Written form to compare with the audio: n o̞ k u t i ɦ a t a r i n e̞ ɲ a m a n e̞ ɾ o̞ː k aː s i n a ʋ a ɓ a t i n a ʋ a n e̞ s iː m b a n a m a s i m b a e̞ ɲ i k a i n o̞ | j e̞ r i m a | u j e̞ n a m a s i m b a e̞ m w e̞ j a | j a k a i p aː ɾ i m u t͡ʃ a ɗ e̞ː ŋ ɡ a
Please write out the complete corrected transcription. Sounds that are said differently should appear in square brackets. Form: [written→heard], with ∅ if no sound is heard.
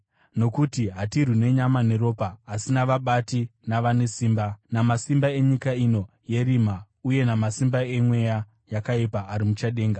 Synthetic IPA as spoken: n o̞ k u t i ɦ a t [a→i] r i n e̞ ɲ a m a n e̞ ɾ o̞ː [k→p] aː s i n a ʋ a ɓ a t i n a ʋ a n e̞ s iː m b a n a m a s i m b a e̞ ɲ i k a i n o̞ | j e̞ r i m a | u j e̞ n a m a s i m b a e̞ m w e̞ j a | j a k a i p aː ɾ i m u t͡ʃ a ɗ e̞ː ŋ ɡ a